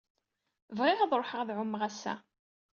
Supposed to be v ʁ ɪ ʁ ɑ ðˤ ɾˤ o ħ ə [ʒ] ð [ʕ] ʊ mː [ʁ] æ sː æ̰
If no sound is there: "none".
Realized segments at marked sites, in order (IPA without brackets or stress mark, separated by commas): ʁ, ʕ, ʁ